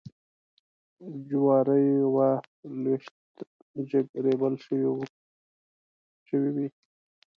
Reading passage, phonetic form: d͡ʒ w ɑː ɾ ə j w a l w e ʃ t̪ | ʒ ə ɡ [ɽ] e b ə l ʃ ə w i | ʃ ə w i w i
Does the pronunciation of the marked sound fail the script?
yes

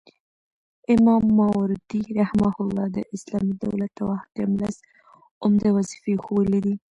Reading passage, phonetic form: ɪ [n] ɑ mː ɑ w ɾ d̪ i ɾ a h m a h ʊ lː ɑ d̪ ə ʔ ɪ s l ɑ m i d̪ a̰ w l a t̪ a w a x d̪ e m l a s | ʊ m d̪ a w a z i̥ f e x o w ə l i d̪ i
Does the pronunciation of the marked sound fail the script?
yes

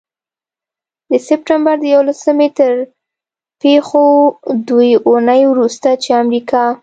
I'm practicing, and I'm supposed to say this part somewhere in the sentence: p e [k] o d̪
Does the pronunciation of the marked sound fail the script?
yes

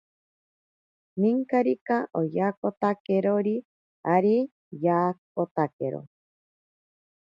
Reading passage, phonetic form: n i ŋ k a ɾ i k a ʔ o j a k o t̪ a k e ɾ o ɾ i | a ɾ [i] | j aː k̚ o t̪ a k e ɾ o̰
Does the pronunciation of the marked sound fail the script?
no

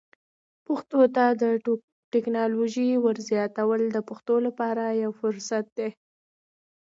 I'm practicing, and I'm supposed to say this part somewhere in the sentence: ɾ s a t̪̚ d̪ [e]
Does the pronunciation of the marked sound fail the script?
no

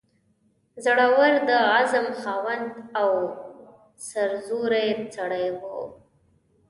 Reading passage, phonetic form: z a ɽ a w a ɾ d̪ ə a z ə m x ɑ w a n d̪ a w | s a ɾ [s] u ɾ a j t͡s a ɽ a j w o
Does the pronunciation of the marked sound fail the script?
yes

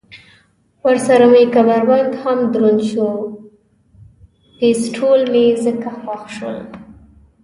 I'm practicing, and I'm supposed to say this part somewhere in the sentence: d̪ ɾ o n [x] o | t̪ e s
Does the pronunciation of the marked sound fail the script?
yes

